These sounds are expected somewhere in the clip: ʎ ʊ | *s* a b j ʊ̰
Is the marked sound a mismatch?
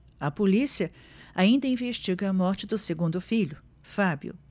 yes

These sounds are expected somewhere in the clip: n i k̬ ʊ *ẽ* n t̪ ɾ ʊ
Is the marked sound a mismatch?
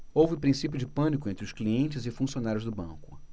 no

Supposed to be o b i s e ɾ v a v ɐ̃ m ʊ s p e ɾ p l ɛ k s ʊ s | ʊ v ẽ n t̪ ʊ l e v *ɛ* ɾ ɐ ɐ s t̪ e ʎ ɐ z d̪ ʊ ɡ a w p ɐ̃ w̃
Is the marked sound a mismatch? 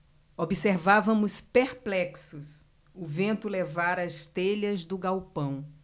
yes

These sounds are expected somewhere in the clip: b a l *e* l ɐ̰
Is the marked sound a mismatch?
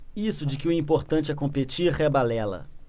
yes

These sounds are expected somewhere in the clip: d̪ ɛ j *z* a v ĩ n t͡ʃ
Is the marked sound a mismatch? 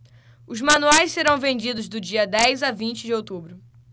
no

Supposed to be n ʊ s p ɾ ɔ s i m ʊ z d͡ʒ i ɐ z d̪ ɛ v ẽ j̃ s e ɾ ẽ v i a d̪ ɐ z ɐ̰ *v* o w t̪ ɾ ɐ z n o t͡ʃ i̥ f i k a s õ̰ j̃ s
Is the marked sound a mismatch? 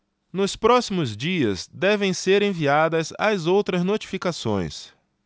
yes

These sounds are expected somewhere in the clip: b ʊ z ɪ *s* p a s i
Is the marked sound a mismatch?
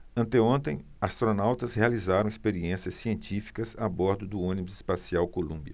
no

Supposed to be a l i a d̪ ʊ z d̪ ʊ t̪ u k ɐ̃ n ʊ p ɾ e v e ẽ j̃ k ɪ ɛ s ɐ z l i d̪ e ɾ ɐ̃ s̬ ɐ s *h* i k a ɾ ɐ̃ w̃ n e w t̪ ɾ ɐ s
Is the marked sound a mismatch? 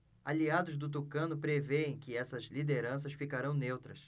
yes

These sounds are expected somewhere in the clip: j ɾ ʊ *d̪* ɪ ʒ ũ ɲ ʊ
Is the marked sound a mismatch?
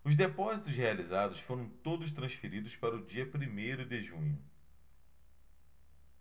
no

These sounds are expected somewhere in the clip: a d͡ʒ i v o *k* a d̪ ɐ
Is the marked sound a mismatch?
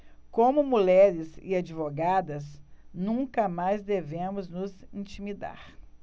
yes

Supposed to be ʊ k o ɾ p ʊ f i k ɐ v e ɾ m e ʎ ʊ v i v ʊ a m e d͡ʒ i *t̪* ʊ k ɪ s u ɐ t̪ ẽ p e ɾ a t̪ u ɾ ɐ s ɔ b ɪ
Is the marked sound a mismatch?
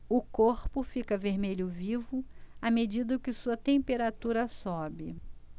yes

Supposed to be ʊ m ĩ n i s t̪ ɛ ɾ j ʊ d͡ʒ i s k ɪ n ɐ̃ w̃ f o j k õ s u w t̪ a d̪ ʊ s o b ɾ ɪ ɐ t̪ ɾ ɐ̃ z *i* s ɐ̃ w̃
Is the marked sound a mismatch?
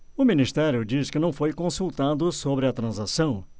yes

